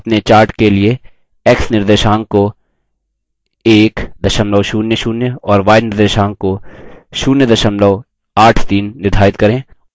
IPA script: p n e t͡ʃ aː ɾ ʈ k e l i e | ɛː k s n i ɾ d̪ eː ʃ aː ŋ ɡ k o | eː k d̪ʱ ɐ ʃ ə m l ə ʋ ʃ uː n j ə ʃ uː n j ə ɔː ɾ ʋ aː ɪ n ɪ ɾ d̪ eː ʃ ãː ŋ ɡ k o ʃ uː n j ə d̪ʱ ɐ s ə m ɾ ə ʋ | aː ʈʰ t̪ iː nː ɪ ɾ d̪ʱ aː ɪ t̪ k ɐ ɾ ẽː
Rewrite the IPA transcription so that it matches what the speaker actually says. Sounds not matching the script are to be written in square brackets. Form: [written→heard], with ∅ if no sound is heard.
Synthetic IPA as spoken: p n e t͡ʃ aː ɾ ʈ k e l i e | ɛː k s n [i→ɪ] ɾ d̪ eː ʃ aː ŋ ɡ k o | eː k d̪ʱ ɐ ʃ ə m l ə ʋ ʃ uː n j ə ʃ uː n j ə ɔː ɾ ʋ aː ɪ n ɪ ɾ d̪ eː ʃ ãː ŋ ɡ k o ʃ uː n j ə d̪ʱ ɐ [s→ʃ] ə m [ɾ→l] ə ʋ | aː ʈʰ t̪ iː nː ɪ ɾ d̪ʱ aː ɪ t̪ k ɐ ɾ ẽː